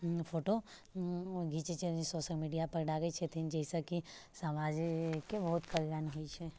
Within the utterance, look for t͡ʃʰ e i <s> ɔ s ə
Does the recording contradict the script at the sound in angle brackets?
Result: no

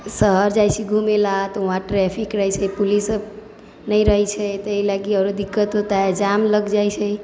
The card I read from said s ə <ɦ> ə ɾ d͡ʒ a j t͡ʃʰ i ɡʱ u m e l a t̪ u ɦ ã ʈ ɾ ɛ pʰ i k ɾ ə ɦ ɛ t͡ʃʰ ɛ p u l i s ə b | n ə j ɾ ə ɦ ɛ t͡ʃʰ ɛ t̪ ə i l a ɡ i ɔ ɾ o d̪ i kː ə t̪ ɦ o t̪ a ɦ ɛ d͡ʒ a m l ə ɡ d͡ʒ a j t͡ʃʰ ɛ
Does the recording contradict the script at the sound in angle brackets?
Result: no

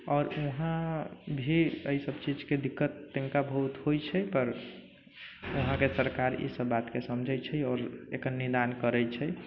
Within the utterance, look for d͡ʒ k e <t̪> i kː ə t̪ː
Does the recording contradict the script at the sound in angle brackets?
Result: yes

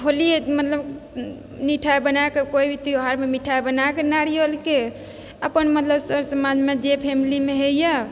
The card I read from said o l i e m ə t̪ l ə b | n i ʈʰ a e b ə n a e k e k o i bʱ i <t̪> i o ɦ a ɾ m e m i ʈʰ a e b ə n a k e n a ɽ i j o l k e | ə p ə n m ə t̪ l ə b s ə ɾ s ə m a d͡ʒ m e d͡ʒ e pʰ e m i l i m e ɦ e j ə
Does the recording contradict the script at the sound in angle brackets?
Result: no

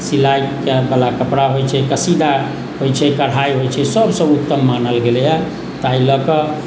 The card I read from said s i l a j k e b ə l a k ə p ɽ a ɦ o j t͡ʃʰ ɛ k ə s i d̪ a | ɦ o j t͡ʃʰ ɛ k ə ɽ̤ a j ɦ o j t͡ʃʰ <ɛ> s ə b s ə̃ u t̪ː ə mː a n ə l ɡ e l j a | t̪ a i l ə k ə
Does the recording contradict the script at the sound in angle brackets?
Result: no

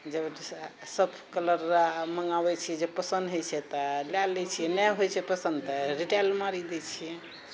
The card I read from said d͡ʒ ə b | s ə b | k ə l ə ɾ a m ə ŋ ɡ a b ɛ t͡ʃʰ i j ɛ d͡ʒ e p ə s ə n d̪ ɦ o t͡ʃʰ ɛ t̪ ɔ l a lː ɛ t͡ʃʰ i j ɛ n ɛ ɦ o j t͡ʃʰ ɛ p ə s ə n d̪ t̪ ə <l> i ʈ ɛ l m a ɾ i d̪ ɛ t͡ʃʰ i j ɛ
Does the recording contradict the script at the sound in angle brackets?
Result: yes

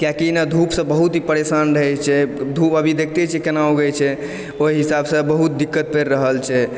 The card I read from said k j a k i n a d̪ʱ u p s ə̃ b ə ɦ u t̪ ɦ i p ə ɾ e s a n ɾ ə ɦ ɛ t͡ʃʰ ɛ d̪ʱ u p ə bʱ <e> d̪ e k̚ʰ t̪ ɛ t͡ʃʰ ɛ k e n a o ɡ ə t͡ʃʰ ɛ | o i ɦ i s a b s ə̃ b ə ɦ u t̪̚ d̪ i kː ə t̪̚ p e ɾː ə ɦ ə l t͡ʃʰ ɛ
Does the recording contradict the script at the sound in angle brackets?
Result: yes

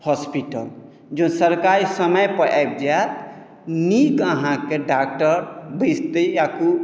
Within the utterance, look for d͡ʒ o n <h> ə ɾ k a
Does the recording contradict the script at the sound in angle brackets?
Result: yes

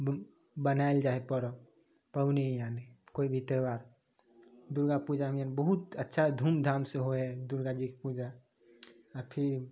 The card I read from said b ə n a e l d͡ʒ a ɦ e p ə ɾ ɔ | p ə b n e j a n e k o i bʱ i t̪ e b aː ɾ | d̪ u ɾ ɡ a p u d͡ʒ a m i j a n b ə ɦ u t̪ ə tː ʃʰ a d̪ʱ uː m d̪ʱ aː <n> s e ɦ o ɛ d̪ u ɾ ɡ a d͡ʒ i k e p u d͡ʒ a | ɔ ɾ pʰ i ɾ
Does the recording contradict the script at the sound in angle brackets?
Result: yes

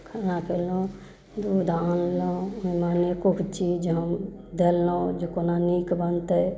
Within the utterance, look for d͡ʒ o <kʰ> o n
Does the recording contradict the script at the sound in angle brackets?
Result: yes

